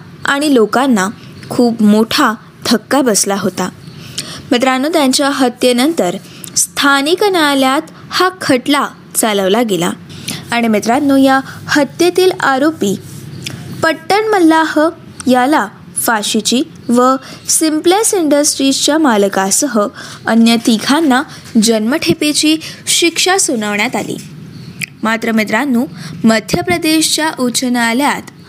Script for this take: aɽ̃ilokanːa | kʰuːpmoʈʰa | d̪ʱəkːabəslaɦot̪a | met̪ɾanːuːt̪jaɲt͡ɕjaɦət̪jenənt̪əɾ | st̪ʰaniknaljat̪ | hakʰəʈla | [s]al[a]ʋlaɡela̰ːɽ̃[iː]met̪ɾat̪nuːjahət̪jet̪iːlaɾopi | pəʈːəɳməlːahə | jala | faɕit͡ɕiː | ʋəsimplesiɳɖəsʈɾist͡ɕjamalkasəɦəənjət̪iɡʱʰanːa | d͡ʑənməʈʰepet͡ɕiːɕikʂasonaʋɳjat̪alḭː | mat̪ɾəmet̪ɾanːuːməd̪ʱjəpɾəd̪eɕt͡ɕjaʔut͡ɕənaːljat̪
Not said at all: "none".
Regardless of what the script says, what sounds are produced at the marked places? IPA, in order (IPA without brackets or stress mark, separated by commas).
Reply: t͡s, ə, i